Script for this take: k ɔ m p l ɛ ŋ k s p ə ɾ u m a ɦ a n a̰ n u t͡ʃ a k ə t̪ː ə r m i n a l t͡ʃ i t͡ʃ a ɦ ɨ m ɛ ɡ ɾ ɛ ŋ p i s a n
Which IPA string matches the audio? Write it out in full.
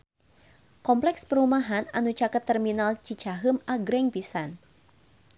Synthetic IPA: k ɔ m p l ɛ k s p ə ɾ u m a ɦ a n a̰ n u t͡ʃ a k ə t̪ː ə r m i n a l t͡ʃ i t͡ʃ a ɦ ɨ m a ɡ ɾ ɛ ŋ p i s a n